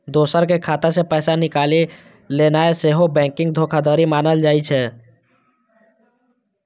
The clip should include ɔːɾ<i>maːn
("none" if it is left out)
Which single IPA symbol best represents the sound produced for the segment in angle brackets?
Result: i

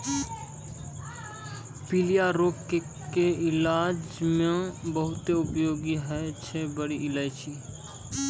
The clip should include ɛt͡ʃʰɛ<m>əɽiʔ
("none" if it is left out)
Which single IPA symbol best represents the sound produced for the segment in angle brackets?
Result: b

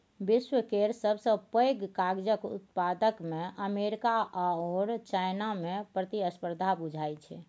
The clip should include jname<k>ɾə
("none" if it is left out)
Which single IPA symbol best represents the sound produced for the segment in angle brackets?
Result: p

